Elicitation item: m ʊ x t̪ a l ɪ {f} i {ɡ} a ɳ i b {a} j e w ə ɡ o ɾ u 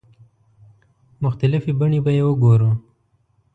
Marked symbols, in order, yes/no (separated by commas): yes, no, yes